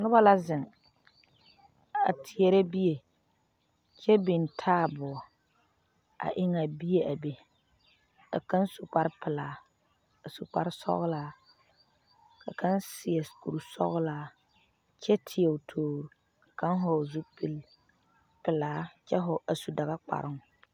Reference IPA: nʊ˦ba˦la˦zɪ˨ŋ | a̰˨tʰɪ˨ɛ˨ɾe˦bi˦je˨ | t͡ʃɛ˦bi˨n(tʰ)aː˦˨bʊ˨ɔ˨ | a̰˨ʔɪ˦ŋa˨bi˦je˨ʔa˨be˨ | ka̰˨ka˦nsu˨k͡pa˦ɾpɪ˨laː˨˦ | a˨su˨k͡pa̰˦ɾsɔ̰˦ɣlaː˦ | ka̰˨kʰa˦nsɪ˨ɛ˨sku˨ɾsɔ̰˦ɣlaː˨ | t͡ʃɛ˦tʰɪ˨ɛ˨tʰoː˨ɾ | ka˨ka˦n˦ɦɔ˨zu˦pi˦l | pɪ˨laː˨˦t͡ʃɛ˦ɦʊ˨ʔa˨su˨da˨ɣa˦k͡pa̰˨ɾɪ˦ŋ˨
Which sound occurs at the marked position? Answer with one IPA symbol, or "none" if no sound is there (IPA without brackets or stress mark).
tʰ